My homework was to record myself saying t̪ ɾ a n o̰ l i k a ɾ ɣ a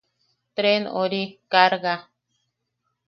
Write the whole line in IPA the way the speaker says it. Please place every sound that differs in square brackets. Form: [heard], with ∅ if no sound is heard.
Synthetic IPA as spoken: t̪ ɾ [e] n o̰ [ɾ] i k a ɾ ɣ a